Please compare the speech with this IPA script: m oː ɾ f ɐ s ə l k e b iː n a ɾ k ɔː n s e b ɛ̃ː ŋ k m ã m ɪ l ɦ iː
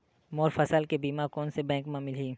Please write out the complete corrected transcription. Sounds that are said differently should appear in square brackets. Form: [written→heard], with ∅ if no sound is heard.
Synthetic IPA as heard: m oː ɾ f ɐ s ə l k e b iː [n→m] a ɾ k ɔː n s e b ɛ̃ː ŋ k m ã m ɪ l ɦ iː